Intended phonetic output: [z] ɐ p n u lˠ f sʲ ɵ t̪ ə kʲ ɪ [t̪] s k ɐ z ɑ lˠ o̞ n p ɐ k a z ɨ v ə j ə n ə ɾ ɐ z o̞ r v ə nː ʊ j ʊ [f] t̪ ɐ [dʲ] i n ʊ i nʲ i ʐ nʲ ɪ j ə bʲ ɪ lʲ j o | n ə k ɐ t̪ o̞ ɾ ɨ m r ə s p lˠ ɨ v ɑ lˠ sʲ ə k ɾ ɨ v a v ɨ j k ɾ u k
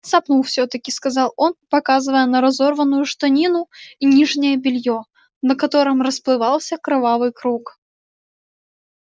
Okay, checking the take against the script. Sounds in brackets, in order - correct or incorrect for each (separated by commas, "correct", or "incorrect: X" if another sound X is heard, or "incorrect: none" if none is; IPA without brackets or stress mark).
incorrect: s, incorrect: none, incorrect: ʂ, incorrect: nʲ